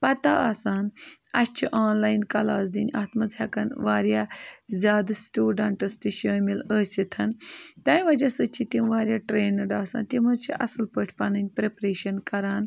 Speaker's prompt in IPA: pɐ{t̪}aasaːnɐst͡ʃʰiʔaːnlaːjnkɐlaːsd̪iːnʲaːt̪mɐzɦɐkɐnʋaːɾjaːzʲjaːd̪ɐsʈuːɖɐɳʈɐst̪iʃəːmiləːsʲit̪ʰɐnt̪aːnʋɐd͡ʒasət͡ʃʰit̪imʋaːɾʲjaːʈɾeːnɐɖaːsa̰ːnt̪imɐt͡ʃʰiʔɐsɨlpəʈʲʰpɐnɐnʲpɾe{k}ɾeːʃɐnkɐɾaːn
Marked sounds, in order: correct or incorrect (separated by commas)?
correct, incorrect